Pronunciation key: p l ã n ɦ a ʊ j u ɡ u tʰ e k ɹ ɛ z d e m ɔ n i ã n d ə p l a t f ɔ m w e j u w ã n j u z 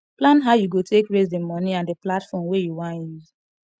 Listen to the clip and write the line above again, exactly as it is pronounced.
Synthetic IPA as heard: p l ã n ɦ a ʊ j u ɡ o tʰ e k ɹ e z d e m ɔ n i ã n d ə p l a t f ɔ m w e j u w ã n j u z